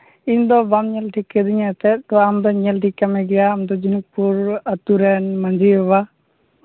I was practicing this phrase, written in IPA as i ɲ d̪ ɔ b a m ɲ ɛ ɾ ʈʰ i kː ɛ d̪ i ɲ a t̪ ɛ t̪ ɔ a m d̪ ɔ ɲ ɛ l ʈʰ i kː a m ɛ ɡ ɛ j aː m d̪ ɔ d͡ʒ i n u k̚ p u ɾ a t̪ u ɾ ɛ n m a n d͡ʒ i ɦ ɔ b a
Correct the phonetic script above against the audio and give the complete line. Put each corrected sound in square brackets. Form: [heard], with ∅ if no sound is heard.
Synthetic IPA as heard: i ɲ d̪ ɔ b a m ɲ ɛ [l] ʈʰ i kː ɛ d̪ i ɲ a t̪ ɛ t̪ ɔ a m d̪ ɔ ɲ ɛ l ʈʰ i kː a m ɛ ɡ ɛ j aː m d̪ ɔ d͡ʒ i n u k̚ p u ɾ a t̪ u ɾ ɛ n m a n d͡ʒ i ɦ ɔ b a

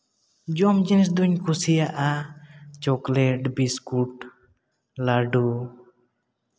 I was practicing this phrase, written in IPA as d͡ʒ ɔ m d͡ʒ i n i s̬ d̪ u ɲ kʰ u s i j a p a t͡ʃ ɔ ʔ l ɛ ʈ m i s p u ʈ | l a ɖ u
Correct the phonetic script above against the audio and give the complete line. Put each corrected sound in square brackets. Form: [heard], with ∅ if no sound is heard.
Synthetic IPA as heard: d͡ʒ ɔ m d͡ʒ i n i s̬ d̪ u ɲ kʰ u s i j a [ʔ] a t͡ʃ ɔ [k] l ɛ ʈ [b] i s [k] u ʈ | l a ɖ u

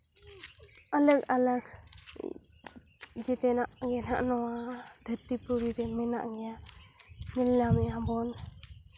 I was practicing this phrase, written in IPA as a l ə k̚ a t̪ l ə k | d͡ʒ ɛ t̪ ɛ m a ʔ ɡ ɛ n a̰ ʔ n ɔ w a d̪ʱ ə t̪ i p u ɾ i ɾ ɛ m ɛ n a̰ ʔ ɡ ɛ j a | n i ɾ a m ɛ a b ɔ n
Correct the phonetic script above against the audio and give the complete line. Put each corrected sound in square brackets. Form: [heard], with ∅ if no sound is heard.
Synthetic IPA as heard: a l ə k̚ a [∅] l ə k | d͡ʒ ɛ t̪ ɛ [n] a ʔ ɡ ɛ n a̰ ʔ n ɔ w a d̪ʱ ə t̪ i p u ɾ i ɾ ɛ m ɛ n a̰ ʔ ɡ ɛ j a | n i [l] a m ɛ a b ɔ n

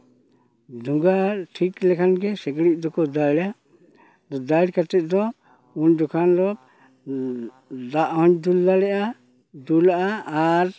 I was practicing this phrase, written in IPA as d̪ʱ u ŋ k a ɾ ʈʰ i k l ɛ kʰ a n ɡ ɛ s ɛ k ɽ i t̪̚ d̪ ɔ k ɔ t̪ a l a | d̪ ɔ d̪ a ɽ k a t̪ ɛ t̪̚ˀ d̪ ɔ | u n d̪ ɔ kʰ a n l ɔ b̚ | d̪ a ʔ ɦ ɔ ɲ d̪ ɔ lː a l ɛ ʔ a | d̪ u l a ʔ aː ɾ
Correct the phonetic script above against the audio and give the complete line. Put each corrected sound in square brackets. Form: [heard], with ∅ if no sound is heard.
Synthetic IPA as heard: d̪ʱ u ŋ [ɡ] a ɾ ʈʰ i k l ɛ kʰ a n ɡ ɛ s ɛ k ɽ i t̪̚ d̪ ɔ k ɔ [d̪] a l a | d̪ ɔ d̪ a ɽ k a t̪ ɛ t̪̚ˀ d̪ ɔ | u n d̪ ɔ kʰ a n l ɔ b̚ | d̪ a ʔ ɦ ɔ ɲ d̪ [u] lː a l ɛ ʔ a | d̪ u l a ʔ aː ɾ

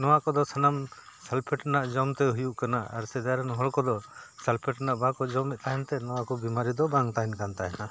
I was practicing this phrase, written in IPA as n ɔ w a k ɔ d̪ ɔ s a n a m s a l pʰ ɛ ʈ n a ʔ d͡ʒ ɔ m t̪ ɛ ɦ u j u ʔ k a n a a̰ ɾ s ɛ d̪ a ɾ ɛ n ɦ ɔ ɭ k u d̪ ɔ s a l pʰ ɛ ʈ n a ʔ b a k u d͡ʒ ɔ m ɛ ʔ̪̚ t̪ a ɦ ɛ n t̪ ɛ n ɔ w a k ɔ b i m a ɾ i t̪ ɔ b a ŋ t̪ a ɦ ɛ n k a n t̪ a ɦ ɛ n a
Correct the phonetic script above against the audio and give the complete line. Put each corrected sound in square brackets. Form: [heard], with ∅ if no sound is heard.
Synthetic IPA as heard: n ɔ w a k ɔ d̪ ɔ s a n a m s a l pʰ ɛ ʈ n a ʔ d͡ʒ ɔ m t̪ ɛ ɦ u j u ʔ k a n a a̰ ɾ s ɛ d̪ a ɾ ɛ n ɦ ɔ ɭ k [ɔ] d̪ ɔ s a l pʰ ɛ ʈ n a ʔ b a k [ɔ] d͡ʒ ɔ m ɛ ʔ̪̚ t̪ a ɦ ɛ n t̪ ɛ n ɔ w a k ɔ b i m a ɾ i [d̪] ɔ b a ŋ t̪ a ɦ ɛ n k a n t̪ a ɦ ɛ n a

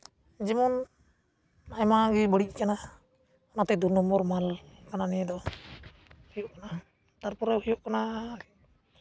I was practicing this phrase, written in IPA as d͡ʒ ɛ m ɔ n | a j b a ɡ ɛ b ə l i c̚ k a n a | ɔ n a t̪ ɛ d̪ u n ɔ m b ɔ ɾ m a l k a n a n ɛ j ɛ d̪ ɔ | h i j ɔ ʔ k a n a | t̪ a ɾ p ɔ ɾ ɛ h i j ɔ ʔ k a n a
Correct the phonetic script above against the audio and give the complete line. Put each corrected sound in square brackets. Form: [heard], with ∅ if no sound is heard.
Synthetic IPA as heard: d͡ʒ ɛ m ɔ n | a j [m] a ɡ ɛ b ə [ɽ] i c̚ k a n a | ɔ n a t̪ ɛ d̪ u n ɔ m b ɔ ɾ m a l k a n a n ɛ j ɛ d̪ ɔ | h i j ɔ ʔ k a n a | t̪ a ɾ p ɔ ɾ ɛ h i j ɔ ʔ k a n a

